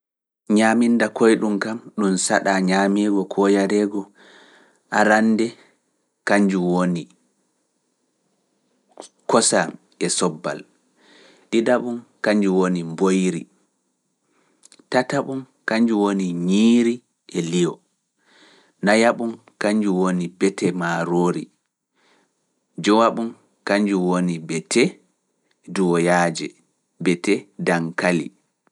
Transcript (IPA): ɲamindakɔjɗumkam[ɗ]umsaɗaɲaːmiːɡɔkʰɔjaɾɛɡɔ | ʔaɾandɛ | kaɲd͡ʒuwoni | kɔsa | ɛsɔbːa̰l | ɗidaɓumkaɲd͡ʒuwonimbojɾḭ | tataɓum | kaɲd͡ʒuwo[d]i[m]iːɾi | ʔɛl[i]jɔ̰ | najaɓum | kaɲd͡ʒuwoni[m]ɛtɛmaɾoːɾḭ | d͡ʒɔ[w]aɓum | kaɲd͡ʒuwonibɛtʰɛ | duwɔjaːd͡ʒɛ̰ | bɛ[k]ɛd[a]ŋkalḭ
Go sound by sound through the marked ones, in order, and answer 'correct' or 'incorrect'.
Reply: correct, incorrect, incorrect, correct, incorrect, correct, incorrect, correct

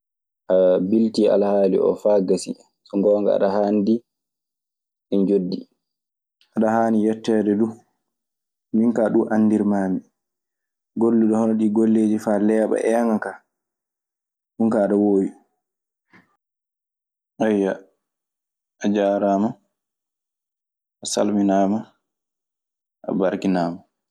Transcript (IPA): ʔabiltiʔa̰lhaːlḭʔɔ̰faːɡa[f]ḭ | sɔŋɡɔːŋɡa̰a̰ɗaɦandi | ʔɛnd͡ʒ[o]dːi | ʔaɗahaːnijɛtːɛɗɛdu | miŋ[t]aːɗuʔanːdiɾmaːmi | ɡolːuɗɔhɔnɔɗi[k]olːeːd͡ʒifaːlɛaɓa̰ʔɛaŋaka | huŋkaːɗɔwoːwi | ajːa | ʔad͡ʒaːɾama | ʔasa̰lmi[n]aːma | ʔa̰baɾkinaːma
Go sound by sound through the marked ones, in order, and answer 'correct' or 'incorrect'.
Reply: incorrect, correct, incorrect, incorrect, correct

